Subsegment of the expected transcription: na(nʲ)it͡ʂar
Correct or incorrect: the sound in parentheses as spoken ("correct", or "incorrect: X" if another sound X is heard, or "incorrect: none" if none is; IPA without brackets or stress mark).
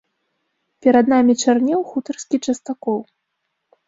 incorrect: mʲ